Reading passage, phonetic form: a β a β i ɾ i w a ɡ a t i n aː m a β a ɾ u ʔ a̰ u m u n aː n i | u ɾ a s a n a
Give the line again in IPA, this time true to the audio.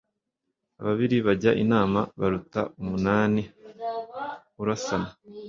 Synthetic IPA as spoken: a β a β i ɾ i β a ɟ a ʔ i n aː m a β a ɾ u t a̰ u m u n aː n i | u ɾ a s a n a